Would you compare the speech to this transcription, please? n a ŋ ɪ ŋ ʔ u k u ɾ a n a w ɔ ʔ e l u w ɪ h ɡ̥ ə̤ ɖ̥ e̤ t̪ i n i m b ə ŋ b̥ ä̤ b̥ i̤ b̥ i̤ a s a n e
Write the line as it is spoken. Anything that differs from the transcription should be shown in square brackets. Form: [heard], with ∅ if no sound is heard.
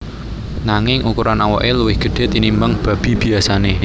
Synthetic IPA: n a ŋ ɪ ŋ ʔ u k u ɾ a n a w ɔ ʔ e l u w ɪ h ɡ̥ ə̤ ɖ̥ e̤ t̪ i n i m b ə ŋ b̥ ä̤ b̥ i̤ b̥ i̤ a s a n e